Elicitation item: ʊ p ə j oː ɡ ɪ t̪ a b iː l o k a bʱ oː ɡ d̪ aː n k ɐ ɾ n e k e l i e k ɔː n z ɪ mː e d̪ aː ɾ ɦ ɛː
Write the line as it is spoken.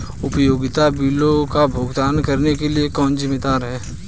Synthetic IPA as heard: ʊ p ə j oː ɡ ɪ t̪ a b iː l o k a bʱ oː ɡ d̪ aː n k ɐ ɾ n e k e l i e k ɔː n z ɪ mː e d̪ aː ɾ ɦ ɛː